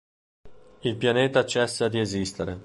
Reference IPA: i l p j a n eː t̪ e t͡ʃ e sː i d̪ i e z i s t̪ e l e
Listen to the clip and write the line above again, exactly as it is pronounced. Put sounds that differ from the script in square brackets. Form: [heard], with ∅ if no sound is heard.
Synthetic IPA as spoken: i l p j a n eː t̪ [a] t͡ʃ [ɛ] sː [a] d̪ i e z i s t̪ e [ɾ] e